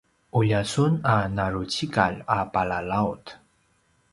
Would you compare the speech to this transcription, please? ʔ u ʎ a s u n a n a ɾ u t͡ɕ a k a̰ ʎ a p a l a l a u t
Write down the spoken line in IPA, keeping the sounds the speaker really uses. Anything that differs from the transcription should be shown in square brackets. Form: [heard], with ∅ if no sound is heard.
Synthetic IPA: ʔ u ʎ a s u n a n a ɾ u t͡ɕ [i] k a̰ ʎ a p a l a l a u t